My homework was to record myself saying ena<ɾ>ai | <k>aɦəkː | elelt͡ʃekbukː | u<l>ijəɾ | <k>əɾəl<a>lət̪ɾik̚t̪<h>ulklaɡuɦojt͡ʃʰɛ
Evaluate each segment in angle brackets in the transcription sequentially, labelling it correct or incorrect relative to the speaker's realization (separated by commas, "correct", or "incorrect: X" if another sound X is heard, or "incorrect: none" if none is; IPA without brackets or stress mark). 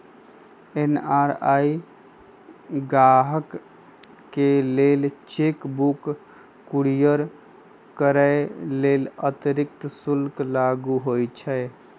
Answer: correct, incorrect: ɡ, incorrect: ɽ, correct, incorrect: e, incorrect: s